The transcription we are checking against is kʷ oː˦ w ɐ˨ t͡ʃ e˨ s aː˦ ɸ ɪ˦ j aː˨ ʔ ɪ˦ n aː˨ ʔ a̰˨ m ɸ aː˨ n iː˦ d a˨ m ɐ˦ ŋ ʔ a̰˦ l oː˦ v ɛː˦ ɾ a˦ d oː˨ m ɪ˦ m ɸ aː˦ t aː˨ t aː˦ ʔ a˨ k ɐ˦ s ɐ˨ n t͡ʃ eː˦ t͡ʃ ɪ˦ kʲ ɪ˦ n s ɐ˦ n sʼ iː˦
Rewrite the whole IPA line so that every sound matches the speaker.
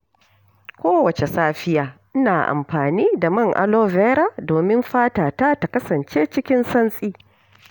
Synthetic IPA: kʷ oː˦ w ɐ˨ t͡ʃ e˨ s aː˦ ɸ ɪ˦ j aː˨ ʔ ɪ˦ n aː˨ ʔ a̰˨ m ɸ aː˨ n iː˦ d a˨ m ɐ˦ ŋ ʔ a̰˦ l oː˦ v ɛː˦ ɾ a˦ d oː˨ m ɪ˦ m ɸ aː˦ t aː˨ t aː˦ t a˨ k ɐ˦ s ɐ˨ n t͡ʃ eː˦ t͡ʃ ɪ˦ kʲ ɪ˦ n s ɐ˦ n sʼ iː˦